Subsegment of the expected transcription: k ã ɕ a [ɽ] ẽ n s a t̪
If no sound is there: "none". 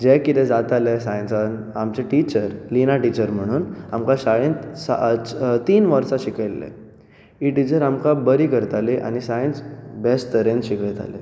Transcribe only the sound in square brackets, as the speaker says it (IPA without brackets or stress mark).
ɭ